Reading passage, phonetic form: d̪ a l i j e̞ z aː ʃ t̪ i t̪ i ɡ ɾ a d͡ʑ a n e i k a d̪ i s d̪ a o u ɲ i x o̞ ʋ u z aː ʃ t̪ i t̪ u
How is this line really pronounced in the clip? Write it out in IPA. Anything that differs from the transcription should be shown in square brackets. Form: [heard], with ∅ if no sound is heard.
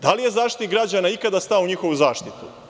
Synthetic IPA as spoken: d̪ a l i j e̞ z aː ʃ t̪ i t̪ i ɡ ɾ a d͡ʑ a n [a] i k a d̪ [a] s [t̪] a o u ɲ i x o̞ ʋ u z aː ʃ t̪ i t̪ u